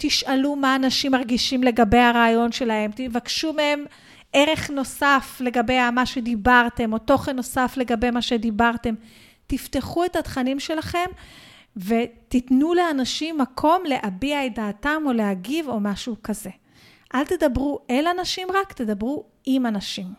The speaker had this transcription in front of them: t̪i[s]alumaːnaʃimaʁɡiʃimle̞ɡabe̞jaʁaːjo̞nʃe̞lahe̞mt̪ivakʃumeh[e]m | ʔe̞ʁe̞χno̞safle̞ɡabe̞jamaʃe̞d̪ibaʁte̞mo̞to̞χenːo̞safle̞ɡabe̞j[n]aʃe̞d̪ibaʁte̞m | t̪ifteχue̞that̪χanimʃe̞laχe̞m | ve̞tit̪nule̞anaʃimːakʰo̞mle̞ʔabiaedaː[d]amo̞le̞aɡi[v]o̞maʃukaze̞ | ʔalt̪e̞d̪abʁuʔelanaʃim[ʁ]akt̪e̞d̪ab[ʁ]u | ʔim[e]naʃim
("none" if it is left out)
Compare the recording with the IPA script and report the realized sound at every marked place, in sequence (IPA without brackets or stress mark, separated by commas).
ʃ, e, m, t, v, ʁ, ʁ, a